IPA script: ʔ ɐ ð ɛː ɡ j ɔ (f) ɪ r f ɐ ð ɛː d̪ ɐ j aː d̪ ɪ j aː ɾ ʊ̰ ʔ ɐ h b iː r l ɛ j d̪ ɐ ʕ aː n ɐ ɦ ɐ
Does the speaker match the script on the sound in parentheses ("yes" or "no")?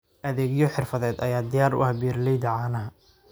no